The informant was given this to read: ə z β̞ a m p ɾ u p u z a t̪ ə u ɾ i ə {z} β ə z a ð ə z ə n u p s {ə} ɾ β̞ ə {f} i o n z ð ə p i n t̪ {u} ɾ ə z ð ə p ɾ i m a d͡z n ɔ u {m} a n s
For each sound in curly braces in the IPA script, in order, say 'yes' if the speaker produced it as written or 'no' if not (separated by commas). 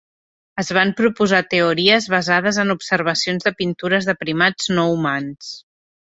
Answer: yes, yes, no, yes, yes